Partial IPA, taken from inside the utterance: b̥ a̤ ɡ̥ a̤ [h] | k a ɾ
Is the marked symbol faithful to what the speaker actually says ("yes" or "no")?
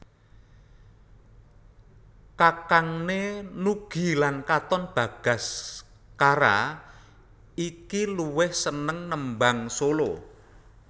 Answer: no